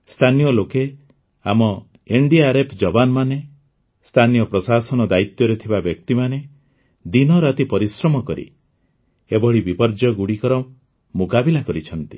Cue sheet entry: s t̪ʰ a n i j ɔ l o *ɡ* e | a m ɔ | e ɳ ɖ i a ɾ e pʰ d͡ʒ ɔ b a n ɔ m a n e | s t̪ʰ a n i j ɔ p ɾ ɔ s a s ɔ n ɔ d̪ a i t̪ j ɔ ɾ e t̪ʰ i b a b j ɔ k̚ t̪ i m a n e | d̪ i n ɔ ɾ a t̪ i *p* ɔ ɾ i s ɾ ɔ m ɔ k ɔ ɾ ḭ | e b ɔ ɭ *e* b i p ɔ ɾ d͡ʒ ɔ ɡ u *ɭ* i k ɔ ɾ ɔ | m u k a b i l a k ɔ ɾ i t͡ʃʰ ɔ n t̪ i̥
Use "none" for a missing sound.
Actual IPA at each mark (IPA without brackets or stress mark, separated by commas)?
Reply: k, p, i, ɽ